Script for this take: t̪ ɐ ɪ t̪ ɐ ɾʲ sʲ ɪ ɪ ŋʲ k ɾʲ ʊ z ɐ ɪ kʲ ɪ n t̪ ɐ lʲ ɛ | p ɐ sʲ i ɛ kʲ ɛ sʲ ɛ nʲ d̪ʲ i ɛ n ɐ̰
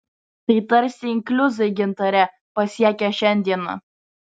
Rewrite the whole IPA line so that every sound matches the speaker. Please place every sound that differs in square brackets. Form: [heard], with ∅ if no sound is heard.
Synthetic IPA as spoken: t̪ ɐ ɪ t̪ ɐ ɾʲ sʲ ɪ ɪ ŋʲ k [lʲ] ʊ z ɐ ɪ [ɡʲ] ɪ n t̪ ɐ [ɾʲ] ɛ | p ɐ sʲ i ɛ kʲ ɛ [ʃʲ] ɛ nʲ d̪ʲ i ɛ n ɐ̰